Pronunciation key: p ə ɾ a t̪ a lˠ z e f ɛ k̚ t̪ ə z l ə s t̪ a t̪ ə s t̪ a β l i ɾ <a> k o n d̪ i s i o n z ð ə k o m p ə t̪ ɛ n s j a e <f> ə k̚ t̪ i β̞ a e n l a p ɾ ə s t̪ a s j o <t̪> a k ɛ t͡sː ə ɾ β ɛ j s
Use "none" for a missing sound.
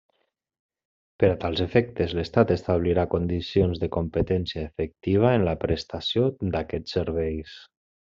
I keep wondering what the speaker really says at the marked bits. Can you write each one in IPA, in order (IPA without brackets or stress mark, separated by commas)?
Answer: a, f, d̪